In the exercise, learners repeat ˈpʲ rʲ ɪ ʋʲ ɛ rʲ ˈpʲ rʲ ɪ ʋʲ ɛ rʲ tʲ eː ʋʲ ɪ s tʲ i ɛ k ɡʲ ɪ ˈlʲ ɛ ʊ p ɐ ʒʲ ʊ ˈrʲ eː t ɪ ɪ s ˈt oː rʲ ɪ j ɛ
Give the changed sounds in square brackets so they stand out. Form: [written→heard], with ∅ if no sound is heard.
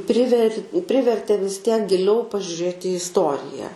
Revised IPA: ˈpʲ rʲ ɪ ʋʲ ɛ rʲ ˈpʲ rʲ ɪ ʋʲ ɛ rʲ tʲ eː ʋʲ ɪ s tʲ i ɛ k ɡʲ ɪ ˈlʲ ɛ ʊ p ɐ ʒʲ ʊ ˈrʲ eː t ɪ ɪ s ˈt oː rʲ ɪ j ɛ